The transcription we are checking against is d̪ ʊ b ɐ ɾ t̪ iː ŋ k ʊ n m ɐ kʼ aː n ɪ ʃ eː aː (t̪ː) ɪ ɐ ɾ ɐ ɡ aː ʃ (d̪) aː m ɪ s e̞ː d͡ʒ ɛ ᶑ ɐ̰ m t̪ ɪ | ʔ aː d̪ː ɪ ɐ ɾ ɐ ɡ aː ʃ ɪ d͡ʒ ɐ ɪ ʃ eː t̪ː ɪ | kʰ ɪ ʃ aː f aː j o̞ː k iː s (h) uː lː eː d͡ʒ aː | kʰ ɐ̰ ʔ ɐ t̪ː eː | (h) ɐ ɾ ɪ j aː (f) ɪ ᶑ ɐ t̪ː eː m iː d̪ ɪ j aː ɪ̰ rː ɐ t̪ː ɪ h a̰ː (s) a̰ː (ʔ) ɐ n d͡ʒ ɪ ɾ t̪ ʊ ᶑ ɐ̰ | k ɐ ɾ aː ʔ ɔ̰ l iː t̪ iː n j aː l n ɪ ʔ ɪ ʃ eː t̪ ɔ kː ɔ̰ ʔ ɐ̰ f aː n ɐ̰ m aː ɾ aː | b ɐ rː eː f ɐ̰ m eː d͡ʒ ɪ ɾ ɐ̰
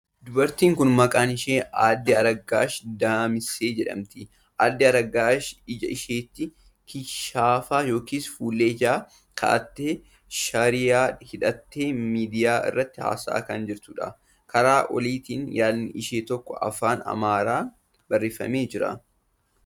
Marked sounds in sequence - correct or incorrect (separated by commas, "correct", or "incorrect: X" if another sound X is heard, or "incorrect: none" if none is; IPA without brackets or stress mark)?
incorrect: d̪ː, correct, incorrect: f, incorrect: ʃ, incorrect: h, correct, incorrect: k